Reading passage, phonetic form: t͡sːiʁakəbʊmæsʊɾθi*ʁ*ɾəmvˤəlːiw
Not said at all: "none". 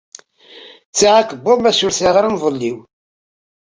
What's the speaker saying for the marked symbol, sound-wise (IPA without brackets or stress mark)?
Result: ʁ